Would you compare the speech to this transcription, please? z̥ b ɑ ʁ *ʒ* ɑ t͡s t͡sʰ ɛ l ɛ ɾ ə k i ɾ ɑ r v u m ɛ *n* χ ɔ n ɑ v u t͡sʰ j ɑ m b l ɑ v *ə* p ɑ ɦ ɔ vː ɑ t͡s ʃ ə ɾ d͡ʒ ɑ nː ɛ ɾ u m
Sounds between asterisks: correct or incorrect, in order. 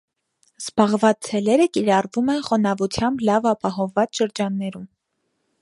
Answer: incorrect, correct, incorrect

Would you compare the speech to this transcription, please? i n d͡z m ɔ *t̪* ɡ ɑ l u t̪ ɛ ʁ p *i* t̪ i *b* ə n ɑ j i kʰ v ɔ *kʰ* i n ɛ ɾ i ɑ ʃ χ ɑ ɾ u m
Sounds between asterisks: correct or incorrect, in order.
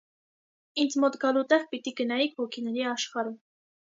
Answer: correct, correct, incorrect, correct

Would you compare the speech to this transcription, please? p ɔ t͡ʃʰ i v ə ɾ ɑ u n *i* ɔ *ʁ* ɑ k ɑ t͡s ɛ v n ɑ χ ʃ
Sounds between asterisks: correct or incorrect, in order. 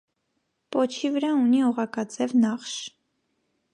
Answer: correct, correct

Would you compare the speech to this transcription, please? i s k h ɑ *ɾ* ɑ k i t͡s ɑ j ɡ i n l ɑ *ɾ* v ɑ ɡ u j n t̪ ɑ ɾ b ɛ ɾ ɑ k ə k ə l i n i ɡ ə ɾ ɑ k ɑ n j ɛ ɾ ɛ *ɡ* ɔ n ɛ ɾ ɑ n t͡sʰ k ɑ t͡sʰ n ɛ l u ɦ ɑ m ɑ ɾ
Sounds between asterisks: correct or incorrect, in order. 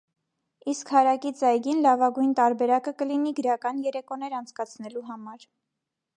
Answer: correct, incorrect, incorrect

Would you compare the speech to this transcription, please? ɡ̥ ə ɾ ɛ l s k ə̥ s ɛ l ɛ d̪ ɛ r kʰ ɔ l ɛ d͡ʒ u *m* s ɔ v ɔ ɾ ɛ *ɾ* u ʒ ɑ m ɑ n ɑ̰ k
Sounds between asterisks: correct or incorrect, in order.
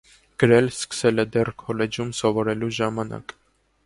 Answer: correct, incorrect

